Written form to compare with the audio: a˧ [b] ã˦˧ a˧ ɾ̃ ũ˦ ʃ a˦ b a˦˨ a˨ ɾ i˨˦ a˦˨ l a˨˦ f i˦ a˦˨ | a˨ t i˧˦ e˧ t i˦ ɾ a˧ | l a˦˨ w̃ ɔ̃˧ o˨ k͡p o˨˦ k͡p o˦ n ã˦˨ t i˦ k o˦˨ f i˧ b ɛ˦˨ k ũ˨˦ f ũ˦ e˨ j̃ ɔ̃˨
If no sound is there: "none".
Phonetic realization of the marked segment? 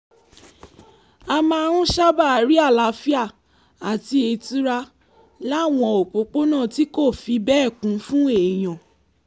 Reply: m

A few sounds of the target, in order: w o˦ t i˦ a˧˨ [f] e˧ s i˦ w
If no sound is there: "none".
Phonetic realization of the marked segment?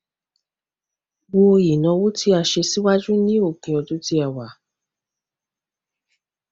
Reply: ʃ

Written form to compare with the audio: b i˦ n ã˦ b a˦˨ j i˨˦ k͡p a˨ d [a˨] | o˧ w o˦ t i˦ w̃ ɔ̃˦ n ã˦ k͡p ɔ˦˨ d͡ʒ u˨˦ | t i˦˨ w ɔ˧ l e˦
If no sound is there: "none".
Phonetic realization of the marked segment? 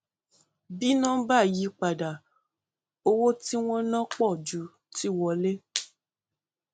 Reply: a˨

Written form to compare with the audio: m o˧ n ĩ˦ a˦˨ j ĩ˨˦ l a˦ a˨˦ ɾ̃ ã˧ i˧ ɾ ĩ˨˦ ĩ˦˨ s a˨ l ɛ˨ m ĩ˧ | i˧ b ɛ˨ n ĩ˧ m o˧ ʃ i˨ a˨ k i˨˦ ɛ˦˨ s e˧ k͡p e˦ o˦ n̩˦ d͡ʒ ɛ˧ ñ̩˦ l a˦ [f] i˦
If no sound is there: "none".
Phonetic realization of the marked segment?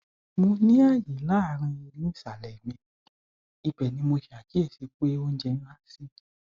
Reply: s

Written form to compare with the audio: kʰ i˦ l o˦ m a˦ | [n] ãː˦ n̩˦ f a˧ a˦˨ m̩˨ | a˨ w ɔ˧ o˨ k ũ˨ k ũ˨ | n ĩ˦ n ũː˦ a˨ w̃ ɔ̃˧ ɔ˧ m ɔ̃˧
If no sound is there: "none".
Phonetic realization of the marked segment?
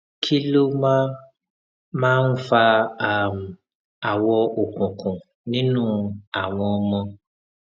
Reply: m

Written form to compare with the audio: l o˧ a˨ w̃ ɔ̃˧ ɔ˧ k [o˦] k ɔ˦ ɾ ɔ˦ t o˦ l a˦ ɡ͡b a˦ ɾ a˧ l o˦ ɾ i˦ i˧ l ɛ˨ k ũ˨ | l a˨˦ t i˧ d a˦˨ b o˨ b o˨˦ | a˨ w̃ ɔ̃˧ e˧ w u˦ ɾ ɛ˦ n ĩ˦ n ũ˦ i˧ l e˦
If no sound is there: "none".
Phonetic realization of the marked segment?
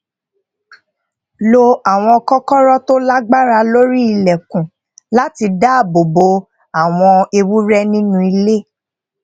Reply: ɔ˦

